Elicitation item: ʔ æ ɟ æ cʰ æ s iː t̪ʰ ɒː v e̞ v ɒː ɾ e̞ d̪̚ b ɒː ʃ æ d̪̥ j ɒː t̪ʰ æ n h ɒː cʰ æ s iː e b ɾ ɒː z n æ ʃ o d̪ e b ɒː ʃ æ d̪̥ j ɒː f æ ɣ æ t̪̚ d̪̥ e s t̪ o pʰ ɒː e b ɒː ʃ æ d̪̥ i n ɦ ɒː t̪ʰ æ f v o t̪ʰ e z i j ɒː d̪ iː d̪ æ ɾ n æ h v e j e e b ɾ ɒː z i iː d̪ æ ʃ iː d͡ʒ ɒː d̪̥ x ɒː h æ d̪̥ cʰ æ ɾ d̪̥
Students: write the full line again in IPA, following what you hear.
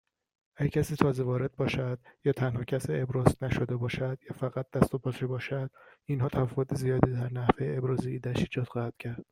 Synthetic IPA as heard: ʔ æ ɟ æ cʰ æ s iː t̪ʰ ɒː z e̞ v ɒː ɾ e̞ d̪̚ b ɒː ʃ æ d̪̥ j ɒː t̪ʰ æ n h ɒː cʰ æ s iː e b ɾ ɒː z n æ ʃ o d̪ e b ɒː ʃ æ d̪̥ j ɒː f æ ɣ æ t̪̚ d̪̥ æ s t̪ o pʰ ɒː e b ɒː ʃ æ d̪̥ i n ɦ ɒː t̪ʰ æ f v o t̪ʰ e z i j ɒː d̪ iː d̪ æ ɾ n æ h v e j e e b ɾ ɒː z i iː d̪ æ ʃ iː d͡ʒ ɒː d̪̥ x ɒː h æ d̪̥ cʰ æ ɾ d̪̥